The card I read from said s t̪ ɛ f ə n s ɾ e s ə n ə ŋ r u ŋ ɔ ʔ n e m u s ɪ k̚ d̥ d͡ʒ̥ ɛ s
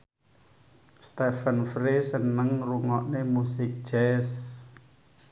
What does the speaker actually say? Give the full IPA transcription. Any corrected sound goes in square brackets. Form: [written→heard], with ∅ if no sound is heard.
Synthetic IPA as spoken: s t̪ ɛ f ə n [s→f] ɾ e s ə n ə ŋ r u ŋ ɔ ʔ n e m u s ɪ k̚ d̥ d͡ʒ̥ ɛ s